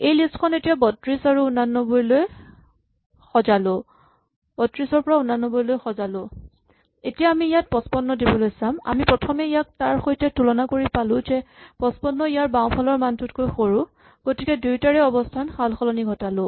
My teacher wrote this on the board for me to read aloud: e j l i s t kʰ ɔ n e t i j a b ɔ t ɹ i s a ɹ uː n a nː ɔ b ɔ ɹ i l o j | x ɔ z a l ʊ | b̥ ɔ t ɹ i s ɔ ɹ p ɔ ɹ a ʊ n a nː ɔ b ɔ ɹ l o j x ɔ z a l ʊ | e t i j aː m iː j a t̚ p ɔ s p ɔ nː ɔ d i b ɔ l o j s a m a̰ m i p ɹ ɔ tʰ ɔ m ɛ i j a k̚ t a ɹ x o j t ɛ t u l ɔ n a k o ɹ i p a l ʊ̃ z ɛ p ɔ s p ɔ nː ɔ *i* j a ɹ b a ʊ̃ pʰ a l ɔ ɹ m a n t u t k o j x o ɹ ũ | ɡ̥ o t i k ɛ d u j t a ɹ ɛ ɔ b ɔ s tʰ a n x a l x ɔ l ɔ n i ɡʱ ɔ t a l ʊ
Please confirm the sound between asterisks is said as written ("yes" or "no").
yes